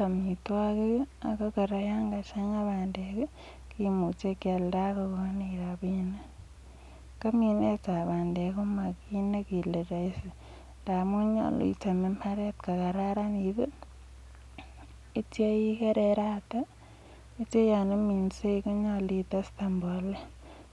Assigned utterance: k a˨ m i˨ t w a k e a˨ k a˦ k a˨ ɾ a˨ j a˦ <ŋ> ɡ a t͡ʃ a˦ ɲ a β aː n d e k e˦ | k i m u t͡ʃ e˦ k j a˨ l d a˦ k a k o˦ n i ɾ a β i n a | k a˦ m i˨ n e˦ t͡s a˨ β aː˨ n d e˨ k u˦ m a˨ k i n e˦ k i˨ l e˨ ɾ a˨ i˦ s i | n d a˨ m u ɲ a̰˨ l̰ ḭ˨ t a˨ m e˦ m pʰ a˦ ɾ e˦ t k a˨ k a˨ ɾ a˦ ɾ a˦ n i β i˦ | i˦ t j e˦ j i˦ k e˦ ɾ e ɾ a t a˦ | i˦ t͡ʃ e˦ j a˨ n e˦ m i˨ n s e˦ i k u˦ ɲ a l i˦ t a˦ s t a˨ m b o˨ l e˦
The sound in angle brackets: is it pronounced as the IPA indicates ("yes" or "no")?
yes